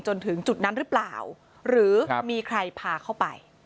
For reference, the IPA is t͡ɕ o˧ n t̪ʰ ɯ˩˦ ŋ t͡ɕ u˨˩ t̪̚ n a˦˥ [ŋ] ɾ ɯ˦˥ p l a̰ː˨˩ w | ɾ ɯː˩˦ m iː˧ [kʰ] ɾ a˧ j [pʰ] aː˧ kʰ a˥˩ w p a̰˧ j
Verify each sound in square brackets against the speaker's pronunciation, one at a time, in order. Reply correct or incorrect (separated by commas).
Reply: incorrect, correct, correct